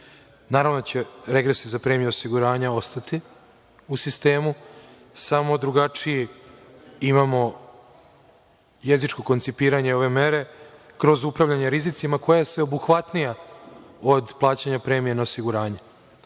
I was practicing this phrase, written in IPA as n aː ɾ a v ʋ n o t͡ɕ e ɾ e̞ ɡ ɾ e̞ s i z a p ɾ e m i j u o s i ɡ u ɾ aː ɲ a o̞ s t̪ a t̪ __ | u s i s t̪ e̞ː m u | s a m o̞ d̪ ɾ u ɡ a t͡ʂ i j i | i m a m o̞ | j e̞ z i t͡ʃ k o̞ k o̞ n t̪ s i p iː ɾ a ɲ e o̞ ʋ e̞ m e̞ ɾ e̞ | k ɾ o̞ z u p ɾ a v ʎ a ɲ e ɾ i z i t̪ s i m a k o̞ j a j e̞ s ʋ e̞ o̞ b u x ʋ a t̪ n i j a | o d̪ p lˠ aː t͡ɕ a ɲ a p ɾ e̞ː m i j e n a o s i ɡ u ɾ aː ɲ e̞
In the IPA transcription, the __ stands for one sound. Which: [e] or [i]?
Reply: i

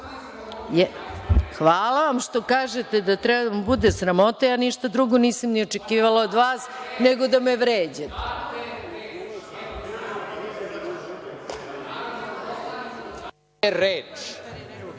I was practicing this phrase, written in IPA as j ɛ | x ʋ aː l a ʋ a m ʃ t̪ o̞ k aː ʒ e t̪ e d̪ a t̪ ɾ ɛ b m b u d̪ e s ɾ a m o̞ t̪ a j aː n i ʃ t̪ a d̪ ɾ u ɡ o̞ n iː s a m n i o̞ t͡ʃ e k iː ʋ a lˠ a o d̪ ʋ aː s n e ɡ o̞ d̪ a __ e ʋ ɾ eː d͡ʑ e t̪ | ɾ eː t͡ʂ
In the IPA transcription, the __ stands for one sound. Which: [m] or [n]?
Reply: m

